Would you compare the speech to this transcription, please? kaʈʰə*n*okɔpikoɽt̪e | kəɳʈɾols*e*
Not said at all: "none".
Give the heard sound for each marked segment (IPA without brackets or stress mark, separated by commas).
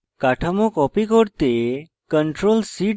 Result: m, i